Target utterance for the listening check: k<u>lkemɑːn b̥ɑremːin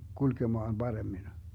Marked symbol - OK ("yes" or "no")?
yes